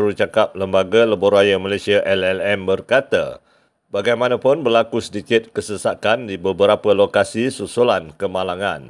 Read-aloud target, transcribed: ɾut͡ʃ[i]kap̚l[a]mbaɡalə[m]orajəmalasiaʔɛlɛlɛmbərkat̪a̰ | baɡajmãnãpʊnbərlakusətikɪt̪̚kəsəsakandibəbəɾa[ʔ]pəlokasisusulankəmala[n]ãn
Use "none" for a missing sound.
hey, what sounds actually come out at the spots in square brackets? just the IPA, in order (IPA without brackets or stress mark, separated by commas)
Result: a, ə, b, none, ŋ